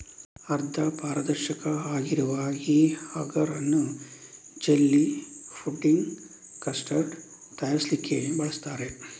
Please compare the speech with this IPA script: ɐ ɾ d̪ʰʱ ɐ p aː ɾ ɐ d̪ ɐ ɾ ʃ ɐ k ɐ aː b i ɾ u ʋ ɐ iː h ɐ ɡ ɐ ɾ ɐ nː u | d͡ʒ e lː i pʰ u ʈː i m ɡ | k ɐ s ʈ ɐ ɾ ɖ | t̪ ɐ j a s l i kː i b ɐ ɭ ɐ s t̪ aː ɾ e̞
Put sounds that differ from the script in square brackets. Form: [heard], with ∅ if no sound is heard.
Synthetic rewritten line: ɐ ɾ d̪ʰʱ ɐ p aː ɾ ɐ d̪ ɐ ɾ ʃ ɐ k ɐ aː [ɡ] i ɾ u ʋ ɐ iː h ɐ ɡ ɐ ɾ ɐ nː u | d͡ʒ e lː i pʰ u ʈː i [ŋ] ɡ | k ɐ s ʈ ɐ ɾ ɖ | t̪ ɐ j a s l i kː [e] b ɐ ɭ ɐ s t̪ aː ɾ e̞

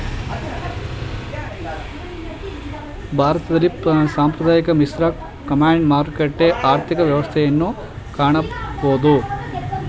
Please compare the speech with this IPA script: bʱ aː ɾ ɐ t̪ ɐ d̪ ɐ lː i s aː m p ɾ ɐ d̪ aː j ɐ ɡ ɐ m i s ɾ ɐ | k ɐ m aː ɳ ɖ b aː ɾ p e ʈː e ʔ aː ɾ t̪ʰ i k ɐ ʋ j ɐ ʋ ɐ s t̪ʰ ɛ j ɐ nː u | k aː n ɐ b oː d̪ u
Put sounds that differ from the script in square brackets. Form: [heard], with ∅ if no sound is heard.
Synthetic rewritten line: bʱ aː ɾ ɐ t̪ ɐ d̪ ɐ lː i s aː m p ɾ ɐ d̪ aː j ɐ [k] ɐ m i s ɾ ɐ | k ɐ m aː ɳ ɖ [m] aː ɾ [k] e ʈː e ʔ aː ɾ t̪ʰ i k ɐ ʋ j ɐ ʋ ɐ s t̪ʰ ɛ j ɐ nː u | k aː [ɳ] ɐ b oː d̪ u

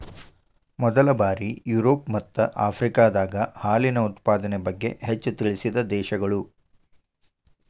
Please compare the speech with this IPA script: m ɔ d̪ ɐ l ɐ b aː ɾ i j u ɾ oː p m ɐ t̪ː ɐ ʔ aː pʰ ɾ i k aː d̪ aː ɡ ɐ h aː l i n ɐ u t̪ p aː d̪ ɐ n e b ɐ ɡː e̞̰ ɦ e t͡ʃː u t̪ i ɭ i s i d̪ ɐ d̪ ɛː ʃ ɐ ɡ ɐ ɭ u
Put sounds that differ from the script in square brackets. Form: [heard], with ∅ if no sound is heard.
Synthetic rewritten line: m ɔ d̪ ɐ l ɐ b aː ɾ i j u ɾ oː p m ɐ t̪ː ɐ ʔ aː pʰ ɾ i k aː d̪ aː ɡ ɐ h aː l i n ɐ u t̪ p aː d̪ ɐ n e b ɐ ɡː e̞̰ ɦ e t͡ʃː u t̪ i ɭ i s i d̪ ɐ d̪ ɛː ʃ ɐ ɡ ɐ ɭ u

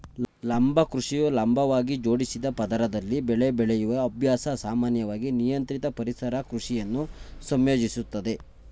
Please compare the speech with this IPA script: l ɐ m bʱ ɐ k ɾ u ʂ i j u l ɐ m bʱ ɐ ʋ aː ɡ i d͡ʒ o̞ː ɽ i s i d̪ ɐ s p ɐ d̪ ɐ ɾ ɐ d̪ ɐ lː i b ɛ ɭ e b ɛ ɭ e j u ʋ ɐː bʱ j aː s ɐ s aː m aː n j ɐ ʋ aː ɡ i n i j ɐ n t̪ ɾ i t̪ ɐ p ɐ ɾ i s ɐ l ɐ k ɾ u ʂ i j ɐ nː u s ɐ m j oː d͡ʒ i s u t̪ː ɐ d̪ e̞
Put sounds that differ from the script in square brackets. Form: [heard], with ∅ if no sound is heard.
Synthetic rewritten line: l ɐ m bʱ ɐ k ɾ u ʂ i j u l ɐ m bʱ ɐ ʋ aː ɡ i d͡ʒ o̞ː ɽ i s i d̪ ɐ [∅] p ɐ d̪ ɐ ɾ ɐ d̪ ɐ lː i b ɛ ɭ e b ɛ ɭ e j u ʋ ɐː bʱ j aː s ɐ s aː m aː n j ɐ ʋ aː ɡ i n i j ɐ n t̪ ɾ i t̪ ɐ p ɐ ɾ i s ɐ [ɾ] ɐ k ɾ u ʂ i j ɐ nː u s ɐ m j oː d͡ʒ i s u t̪ː ɐ d̪ e̞

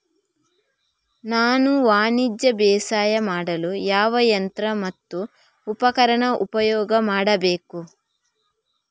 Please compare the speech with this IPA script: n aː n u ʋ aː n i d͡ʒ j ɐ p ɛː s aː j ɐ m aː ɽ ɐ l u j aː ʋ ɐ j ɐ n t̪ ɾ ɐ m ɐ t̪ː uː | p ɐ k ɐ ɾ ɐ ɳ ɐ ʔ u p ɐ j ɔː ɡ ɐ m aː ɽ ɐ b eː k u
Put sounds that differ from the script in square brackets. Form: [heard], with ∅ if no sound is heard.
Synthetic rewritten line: n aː n u ʋ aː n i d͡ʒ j ɐ [b] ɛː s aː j ɐ m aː ɽ ɐ l u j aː ʋ ɐ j ɐ n t̪ ɾ ɐ m ɐ t̪ː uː | p ɐ k ɐ ɾ ɐ ɳ ɐ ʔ u p ɐ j ɔː ɡ ɐ m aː ɽ ɐ b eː k u

